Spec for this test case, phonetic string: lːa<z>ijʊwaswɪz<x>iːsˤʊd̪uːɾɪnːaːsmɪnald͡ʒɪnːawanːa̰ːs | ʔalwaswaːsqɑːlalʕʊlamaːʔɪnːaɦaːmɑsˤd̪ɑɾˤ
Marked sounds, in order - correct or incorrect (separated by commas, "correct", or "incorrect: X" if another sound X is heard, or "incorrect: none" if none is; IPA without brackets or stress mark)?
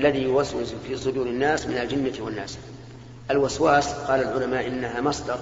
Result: incorrect: ð, incorrect: f